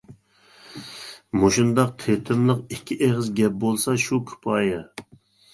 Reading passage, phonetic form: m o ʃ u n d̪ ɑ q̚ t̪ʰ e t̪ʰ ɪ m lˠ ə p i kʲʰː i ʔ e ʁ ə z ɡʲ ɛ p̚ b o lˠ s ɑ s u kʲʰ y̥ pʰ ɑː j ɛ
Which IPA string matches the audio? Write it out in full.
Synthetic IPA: m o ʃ u n d̪ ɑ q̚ t̪ʰ e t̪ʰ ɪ m lˠ ə q i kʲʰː i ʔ e ʁ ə z ɡʲ ɛ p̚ b o lˠ s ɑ ʃ u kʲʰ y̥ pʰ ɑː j ɛ